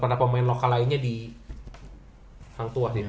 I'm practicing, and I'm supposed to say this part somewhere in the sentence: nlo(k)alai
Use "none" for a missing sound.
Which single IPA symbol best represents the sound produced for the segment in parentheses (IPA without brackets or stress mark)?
k